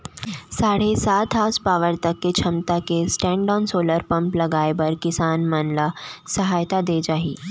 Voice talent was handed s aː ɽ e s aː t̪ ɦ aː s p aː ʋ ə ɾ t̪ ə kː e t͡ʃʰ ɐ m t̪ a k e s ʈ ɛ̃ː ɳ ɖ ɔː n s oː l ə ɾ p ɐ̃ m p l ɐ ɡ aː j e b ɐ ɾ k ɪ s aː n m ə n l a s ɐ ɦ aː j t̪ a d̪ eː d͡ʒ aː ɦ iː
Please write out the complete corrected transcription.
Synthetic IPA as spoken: s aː ɽ e s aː t̪ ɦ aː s p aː ʋ ə ɾ t̪ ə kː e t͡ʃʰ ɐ m t̪ a k e s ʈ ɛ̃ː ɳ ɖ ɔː n s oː l ə ɾ p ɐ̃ m p l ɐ ɡ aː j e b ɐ ɾ k ɪ s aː n m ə n l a s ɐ ɦ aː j t̪ a d̪ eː d͡ʒ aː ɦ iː